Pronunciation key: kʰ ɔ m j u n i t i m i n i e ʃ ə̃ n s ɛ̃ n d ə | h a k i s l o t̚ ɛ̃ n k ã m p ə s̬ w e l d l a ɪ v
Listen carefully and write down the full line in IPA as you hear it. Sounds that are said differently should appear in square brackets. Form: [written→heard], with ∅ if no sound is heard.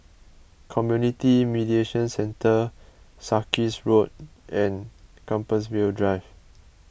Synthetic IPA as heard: kʰ ɔ m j u n i t i m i [n→d] i e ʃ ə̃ n s ɛ̃ n [d→t] ə | [h→s] a k i s [l→ɹ] o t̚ ɛ̃ n k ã m p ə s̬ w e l d [l→ɹ] a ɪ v